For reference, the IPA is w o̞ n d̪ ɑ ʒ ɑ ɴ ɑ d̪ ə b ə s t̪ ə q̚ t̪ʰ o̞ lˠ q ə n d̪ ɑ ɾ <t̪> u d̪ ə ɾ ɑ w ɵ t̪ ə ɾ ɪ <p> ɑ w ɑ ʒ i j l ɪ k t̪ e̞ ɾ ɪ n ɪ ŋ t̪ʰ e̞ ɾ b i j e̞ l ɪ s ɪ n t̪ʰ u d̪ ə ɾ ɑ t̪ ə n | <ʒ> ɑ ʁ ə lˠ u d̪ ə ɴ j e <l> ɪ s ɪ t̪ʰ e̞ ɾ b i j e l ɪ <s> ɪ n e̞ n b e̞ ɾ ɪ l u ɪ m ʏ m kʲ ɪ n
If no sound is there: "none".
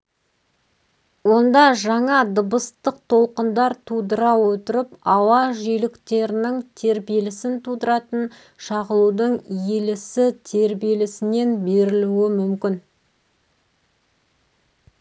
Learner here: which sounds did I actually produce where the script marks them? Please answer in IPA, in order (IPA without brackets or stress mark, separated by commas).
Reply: t̪ʰ, p, ʃ, l, s